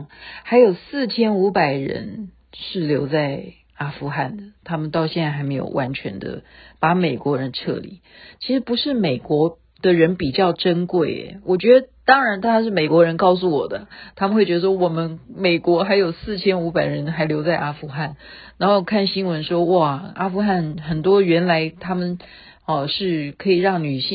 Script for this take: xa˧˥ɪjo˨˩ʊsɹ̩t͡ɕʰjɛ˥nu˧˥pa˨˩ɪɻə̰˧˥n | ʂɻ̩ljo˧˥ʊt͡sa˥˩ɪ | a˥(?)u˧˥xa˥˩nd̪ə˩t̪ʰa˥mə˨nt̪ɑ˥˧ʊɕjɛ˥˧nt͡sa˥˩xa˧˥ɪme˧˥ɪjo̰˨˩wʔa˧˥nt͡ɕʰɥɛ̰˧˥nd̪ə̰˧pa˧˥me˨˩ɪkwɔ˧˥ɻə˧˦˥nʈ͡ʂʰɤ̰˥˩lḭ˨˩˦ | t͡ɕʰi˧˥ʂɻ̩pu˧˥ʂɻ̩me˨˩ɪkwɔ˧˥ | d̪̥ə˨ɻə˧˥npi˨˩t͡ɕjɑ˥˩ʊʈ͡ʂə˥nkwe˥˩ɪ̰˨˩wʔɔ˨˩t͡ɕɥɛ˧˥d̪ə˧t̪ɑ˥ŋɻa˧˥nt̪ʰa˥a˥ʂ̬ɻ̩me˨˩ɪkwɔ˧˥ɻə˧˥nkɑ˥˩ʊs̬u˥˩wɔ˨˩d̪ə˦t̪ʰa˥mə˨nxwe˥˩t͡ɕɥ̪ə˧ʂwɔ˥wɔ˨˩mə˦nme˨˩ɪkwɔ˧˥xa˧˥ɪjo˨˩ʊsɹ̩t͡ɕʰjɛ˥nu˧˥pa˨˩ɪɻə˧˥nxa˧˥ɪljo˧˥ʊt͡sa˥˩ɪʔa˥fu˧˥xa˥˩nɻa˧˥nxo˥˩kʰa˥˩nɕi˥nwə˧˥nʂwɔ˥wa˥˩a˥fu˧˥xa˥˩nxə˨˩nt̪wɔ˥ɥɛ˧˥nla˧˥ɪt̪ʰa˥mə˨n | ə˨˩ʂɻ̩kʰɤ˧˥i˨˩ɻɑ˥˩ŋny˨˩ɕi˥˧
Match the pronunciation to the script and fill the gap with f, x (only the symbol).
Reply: f